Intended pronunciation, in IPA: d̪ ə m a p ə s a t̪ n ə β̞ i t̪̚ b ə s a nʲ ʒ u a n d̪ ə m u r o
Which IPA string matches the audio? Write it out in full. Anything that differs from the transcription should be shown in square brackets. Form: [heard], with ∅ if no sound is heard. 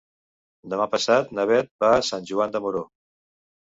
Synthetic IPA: d̪ ə m a p ə s a t̪ n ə β̞ [ɛ] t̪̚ b [a] s a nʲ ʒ u a n d̪ ə m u [ɾ] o